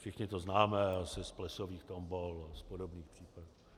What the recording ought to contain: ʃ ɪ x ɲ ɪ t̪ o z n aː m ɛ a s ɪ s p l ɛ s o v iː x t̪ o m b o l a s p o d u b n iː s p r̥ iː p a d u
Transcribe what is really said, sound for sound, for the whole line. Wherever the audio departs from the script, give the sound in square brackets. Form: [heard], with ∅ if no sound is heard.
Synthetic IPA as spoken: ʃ ɪ x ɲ ɪ t̪ o z n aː m ɛ a s ɪ s p l ɛ s o v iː x t̪ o m b o l a s p o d [o] b n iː [x] p r̥ iː p a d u